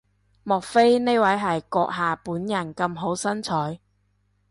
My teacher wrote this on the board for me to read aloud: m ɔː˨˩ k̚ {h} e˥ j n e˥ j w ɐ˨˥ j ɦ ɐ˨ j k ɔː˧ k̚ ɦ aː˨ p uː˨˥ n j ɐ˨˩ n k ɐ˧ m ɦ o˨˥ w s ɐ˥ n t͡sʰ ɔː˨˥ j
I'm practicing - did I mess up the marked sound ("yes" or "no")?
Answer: yes